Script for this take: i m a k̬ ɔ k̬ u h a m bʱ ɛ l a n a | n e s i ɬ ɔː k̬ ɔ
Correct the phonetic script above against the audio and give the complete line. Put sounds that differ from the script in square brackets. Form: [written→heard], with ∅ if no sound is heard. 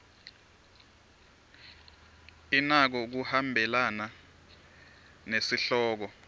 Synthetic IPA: i [m→n] a k̬ ɔ k̬ u h a m bʱ ɛ l a n a | n e s i ɬ ɔː k̬ ɔ